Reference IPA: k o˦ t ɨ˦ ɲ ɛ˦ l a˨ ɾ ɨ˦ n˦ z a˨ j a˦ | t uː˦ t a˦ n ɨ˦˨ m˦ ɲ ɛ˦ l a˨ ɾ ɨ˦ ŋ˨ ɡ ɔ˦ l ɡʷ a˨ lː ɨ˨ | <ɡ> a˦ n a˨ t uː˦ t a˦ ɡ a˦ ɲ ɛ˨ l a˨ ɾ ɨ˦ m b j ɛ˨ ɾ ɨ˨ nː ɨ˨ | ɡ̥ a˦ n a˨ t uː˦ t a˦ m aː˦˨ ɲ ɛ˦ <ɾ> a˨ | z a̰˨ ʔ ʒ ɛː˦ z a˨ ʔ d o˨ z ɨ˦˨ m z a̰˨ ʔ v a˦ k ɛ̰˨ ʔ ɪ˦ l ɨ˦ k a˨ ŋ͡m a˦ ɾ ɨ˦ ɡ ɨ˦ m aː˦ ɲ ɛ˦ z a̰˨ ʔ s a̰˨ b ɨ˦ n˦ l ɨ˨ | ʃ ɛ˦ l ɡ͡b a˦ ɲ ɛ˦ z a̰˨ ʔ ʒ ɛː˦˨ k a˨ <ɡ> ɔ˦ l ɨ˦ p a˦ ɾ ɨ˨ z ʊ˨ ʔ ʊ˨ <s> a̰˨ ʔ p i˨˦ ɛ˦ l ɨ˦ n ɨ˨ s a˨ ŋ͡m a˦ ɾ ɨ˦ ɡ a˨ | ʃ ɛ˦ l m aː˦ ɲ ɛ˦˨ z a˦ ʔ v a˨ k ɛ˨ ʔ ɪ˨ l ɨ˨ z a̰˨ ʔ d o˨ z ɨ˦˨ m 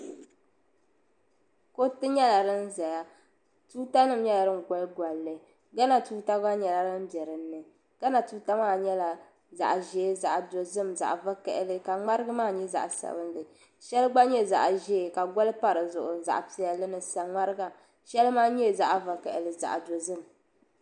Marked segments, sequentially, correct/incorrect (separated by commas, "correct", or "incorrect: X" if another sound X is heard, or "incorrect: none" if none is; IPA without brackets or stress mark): correct, incorrect: l, correct, incorrect: z